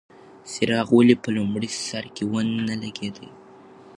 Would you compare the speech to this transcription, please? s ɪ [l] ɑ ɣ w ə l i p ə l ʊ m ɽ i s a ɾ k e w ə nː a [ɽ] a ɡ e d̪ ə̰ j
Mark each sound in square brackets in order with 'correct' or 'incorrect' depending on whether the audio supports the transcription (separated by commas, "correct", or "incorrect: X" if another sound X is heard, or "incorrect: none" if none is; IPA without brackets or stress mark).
incorrect: ɾ, incorrect: l